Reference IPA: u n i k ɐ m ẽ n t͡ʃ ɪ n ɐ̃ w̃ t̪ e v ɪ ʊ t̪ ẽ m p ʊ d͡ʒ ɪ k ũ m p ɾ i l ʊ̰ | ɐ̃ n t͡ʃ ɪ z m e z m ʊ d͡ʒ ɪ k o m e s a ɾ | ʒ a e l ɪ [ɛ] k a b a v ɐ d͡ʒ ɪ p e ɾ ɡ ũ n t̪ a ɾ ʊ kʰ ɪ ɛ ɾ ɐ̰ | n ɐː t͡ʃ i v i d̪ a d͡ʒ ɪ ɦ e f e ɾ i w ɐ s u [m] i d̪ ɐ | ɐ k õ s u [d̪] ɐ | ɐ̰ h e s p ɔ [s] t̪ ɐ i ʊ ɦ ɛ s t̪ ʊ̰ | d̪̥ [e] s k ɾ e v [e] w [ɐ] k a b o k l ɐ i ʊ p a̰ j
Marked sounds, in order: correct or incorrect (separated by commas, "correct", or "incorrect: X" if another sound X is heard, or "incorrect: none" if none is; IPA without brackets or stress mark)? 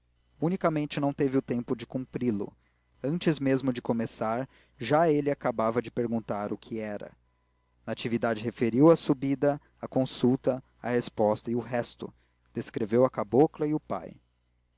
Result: incorrect: a, incorrect: b, incorrect: t̪, correct, correct, correct, correct